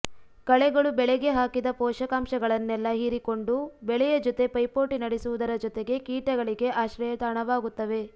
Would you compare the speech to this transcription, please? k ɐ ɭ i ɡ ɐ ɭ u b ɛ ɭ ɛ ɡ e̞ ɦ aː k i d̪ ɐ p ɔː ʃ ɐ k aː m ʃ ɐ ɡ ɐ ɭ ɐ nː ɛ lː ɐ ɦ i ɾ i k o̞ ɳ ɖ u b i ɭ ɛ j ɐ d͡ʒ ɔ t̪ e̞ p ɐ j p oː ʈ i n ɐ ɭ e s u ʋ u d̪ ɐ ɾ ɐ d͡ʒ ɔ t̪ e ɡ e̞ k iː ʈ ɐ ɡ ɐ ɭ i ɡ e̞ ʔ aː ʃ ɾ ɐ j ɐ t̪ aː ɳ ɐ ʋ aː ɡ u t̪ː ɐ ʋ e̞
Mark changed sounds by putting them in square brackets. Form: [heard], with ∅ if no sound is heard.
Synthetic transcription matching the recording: k ɐ ɭ [ɛ] ɡ ɐ ɭ u b ɛ ɭ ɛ ɡ e̞ ɦ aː k i d̪ ɐ p ɔː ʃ ɐ k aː m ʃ ɐ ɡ ɐ ɭ ɐ nː ɛ lː ɐ ɦ i ɾ i k o̞ ɳ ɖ u b [ɛ] ɭ ɛ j ɐ d͡ʒ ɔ t̪ e̞ p ɐ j p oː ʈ i n ɐ [ɽ] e s u ʋ u d̪ ɐ ɾ ɐ d͡ʒ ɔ t̪ e ɡ e̞ k iː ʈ ɐ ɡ ɐ ɭ i ɡ e̞ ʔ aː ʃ ɾ ɐ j ɐ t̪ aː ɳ ɐ ʋ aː ɡ u t̪ː ɐ ʋ e̞